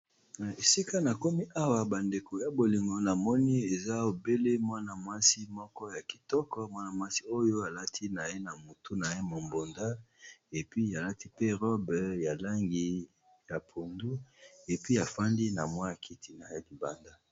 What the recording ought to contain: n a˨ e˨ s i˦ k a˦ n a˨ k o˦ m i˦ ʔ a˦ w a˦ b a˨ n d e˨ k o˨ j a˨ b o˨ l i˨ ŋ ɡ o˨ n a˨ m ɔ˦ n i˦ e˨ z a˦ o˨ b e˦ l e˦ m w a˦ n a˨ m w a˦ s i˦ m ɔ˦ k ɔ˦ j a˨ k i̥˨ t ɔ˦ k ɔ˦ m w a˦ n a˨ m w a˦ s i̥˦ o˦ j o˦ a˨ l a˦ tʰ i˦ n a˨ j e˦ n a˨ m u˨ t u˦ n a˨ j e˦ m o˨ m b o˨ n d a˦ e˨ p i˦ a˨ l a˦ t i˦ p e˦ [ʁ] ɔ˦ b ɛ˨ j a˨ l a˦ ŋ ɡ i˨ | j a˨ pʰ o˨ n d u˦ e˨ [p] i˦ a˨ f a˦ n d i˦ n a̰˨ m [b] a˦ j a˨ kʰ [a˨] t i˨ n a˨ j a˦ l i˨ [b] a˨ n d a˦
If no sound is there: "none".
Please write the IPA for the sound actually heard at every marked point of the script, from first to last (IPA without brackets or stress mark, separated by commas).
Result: ʁ, p, w, i˨, b